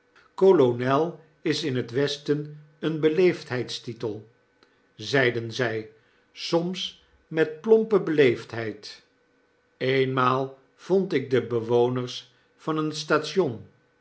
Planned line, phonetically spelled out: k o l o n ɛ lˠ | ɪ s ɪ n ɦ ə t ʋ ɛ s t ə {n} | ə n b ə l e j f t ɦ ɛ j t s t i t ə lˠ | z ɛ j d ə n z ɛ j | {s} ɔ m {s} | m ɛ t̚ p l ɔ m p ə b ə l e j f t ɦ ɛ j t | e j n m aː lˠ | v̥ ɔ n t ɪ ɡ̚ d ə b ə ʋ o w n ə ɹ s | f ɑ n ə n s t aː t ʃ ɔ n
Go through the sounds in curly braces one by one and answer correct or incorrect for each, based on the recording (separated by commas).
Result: correct, correct, correct